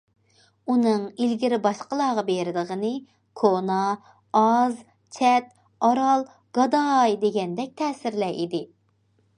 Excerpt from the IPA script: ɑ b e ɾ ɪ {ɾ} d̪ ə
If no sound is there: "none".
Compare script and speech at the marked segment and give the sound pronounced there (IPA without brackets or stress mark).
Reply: none